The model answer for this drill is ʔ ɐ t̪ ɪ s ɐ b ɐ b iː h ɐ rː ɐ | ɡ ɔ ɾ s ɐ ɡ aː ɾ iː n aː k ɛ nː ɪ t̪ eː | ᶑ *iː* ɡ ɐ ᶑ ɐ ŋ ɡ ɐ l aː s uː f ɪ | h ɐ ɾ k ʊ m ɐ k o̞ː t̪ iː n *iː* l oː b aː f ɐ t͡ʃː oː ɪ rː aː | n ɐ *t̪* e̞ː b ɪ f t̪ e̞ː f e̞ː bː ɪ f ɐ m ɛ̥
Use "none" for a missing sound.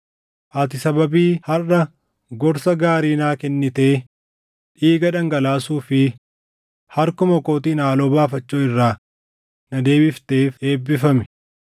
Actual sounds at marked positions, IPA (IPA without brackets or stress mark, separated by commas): iː, aː, d̪